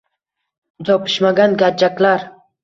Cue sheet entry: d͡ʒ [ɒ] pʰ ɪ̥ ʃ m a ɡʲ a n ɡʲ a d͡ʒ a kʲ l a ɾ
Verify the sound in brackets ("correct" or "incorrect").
correct